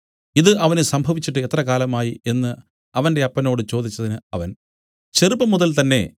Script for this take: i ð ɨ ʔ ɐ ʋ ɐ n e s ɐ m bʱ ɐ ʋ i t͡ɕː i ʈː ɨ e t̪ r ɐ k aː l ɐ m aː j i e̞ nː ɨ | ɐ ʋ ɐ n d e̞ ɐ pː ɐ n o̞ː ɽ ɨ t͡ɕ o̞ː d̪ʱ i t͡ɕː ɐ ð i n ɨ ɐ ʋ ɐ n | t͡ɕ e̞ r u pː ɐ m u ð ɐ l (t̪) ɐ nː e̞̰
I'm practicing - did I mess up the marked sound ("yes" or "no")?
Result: no